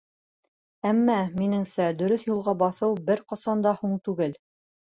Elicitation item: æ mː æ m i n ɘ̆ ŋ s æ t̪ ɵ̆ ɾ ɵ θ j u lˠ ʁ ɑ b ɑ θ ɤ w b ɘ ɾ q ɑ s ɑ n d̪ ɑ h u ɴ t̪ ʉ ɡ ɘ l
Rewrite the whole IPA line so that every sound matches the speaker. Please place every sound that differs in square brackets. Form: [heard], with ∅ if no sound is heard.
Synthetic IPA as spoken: æ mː æ m i n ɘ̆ ŋ s æ [d̪] ɵ̆ ɾ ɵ θ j u lˠ ʁ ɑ b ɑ θ ɤ w b ɘ ɾ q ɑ s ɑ n d̪ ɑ h u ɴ t̪ ʉ ɡ ɘ l